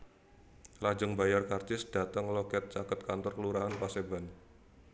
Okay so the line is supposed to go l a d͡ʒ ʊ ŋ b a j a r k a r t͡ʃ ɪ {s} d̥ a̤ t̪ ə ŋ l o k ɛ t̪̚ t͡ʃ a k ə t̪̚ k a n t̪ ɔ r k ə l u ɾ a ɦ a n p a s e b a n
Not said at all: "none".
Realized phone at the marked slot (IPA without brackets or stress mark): s